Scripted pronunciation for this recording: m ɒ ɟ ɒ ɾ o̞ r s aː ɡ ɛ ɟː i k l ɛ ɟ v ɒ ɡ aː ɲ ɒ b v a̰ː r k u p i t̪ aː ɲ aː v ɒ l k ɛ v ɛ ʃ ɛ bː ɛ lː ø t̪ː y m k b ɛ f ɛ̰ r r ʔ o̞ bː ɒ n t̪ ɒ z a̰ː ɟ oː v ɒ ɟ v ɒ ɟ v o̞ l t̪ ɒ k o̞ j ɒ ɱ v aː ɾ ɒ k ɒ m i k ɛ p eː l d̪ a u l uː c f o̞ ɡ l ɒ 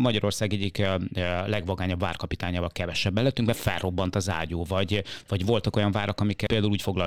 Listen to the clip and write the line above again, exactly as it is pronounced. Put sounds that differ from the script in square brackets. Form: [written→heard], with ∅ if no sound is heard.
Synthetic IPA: m ɒ ɟ ɒ ɾ o̞ r s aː ɡ ɛ ɟː i k l ɛ [ɟ→ɡ] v ɒ ɡ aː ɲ ɒ b v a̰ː r k [u→ɒ] p i t̪ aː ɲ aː v ɒ l k ɛ v ɛ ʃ ɛ bː ɛ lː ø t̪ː y [m→ŋ] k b ɛ f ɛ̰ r r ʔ o̞ bː ɒ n t̪ ɒ z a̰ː ɟ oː v ɒ ɟ v ɒ ɟ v o̞ l t̪ ɒ k o̞ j ɒ ɱ v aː ɾ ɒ k ɒ m i k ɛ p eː l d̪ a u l uː c f o̞ ɡ l ɒ